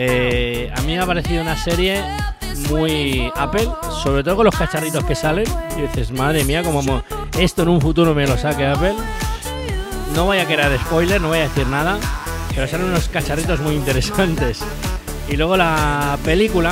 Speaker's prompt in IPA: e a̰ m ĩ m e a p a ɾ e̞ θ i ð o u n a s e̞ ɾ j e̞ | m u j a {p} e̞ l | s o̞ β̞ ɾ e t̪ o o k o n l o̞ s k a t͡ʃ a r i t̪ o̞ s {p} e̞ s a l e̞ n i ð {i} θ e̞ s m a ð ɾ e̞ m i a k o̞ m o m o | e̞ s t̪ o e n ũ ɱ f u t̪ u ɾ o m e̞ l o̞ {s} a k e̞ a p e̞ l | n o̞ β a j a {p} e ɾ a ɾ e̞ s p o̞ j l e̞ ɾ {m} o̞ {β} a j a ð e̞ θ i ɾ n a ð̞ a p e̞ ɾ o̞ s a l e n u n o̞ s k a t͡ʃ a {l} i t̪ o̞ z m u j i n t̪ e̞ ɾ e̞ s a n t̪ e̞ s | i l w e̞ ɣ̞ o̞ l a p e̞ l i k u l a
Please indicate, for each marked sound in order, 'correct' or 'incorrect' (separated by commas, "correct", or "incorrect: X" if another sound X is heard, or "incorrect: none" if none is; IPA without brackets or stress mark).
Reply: correct, incorrect: k, correct, correct, incorrect: k, incorrect: n, correct, incorrect: r